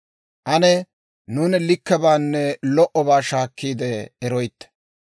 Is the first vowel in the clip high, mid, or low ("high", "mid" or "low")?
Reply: low